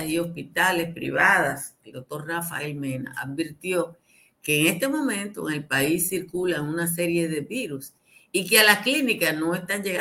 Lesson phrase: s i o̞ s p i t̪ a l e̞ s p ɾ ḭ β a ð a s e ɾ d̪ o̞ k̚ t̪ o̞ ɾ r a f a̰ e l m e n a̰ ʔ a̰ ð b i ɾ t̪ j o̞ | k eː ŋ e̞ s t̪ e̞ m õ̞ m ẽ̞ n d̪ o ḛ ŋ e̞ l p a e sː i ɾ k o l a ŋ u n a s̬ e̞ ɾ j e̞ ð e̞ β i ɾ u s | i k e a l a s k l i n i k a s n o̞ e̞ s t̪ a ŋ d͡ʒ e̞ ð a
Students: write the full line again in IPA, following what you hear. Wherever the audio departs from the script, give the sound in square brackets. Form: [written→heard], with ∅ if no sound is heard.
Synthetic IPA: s i o̞ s p i t̪ a l e̞ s p ɾ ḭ β a ð a s e [ɾ→l] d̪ o̞ k̚ t̪ o̞ ɾ r a f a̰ e l m e n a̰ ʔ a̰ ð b i ɾ t̪ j o̞ | k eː ŋ e̞ s t̪ e̞ m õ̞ m ẽ̞ n [d̪→t̪] o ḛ ŋ e̞ l p a [e→i] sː i ɾ k [o→u] l a ŋ u n a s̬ e̞ ɾ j e̞ ð e̞ β i ɾ u s | i k e a l a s k l i n i k a s n o̞ e̞ s t̪ a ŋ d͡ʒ e̞ [ð→ɣ] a